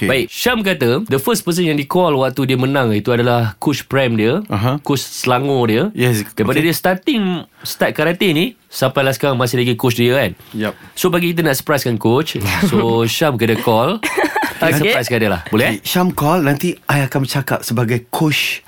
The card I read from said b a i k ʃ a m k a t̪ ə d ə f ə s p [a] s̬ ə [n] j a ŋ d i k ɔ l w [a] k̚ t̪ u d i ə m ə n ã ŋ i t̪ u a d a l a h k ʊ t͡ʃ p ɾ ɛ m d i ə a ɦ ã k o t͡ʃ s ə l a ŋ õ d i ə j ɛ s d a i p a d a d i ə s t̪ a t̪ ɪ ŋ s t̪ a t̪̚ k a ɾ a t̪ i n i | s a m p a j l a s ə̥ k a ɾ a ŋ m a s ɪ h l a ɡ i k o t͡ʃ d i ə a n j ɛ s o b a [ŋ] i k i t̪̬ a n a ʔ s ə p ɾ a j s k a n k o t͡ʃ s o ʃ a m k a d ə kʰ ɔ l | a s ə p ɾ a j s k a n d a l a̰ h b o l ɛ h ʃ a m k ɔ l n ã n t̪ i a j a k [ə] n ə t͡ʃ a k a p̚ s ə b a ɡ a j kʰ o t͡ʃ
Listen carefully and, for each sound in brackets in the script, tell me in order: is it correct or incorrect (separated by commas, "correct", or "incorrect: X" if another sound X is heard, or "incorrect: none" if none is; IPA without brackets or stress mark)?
incorrect: ə, correct, correct, incorrect: ɡ, incorrect: a